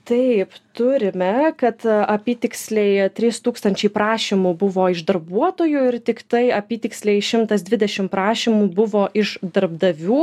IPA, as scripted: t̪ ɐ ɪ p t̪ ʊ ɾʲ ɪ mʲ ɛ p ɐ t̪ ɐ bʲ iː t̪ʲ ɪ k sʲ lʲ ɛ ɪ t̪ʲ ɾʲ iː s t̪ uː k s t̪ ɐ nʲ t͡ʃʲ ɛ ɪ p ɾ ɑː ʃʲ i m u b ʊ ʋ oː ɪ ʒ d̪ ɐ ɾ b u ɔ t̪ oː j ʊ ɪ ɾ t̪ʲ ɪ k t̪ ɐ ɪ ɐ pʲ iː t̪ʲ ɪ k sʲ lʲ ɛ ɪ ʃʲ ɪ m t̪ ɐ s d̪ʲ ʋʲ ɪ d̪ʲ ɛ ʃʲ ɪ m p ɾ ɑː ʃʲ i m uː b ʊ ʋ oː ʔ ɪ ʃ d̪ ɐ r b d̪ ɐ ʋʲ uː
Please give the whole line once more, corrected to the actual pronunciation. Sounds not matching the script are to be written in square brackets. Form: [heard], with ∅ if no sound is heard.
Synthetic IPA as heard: t̪ ɐ ɪ p t̪ ʊ ɾʲ ɪ mʲ ɛ [k] ɐ t̪ ɐ [pʲ] iː t̪ʲ ɪ k sʲ lʲ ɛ ɪ t̪ʲ ɾʲ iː s t̪ uː k s t̪ ɐ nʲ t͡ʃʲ ɛ ɪ p ɾ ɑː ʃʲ i m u b ʊ ʋ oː ɪ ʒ d̪ ɐ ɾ b u ɔ t̪ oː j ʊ ɪ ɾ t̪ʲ ɪ k t̪ ɐ ɪ ɐ pʲ iː t̪ʲ ɪ k sʲ lʲ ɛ ɪ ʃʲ ɪ m t̪ ɐ s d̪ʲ ʋʲ ɪ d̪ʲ ɛ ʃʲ ɪ m p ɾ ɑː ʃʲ i m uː b ʊ ʋ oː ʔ ɪ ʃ d̪ ɐ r b d̪ ɐ ʋʲ uː